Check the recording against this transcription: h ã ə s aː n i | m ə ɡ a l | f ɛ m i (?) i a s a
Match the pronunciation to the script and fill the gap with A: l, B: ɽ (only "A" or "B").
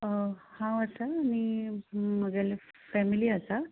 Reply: A